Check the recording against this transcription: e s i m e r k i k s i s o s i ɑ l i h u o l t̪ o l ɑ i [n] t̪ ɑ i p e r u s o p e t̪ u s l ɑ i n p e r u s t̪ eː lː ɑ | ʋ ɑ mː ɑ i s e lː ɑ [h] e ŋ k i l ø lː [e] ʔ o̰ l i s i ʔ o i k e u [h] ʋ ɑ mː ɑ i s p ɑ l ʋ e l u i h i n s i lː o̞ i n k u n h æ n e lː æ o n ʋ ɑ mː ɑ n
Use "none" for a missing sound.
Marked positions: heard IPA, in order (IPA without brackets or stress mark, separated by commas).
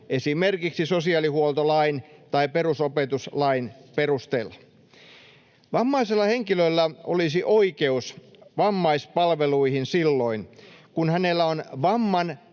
n, h, æ, s